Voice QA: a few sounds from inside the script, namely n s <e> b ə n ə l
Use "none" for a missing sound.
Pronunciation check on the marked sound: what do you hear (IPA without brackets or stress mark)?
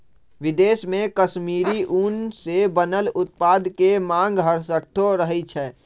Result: e